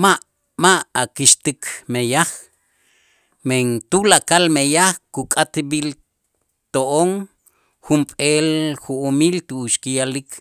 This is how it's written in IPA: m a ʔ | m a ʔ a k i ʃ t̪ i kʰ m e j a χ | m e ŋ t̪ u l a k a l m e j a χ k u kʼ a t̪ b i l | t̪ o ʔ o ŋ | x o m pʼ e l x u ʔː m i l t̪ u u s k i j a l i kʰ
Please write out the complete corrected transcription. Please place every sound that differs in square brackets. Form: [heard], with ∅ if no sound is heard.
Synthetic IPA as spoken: m a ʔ | m a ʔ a k i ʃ t̪ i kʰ m e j a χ | m e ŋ t̪ u l a k a l m e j a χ k u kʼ a t̪ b i l | t̪ o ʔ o ŋ | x [u] m pʼ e l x u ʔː m i l t̪ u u [ʃ] k i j a l i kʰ